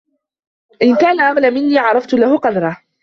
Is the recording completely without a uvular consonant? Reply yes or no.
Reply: no